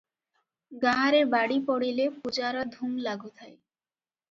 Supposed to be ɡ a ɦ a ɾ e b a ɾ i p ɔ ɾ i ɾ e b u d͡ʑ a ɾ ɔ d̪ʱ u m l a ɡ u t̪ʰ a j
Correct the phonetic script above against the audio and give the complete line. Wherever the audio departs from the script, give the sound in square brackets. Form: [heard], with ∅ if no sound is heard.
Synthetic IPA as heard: ɡ a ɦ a ɾ e b a [ɽ] i p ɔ [ɽ] i [l] e [p] u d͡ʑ a ɾ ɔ d̪ʱ u m l a ɡ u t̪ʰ a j